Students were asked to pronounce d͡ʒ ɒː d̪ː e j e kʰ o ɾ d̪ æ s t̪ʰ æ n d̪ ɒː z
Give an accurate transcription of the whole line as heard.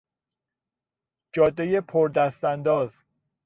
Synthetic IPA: d͡ʒ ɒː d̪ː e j e pʰ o ɾ d̪ æ s t̪ æ n d̪ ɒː z